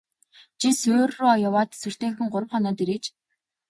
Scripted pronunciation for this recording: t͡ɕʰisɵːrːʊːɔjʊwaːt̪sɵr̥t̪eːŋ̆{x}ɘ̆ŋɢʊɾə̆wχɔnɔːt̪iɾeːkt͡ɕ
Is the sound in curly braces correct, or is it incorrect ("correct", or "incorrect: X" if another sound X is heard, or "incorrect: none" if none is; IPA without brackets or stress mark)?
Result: correct